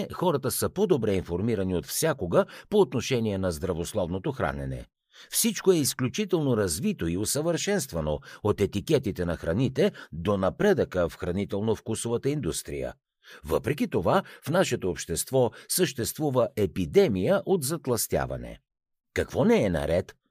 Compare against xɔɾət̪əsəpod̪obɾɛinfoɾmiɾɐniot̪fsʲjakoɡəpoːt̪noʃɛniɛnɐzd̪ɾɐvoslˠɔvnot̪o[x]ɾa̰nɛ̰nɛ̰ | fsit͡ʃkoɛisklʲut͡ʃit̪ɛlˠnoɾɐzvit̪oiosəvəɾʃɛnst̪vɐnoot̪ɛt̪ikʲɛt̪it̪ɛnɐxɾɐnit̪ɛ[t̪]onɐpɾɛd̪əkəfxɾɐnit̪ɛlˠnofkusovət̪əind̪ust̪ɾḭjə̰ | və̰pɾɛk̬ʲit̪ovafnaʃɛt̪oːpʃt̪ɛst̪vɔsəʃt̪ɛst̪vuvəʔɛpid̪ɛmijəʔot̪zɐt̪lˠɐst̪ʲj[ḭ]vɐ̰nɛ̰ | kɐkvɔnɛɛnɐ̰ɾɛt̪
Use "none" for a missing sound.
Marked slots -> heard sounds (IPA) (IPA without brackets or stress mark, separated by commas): x, d̪, a̰